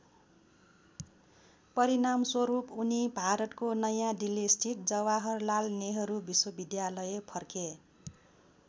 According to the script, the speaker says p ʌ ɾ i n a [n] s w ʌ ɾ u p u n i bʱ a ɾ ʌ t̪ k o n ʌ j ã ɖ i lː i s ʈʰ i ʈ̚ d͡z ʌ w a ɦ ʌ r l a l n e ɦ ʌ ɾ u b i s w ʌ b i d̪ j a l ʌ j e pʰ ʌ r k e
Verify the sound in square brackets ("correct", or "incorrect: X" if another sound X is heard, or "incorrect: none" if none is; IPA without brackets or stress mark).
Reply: incorrect: m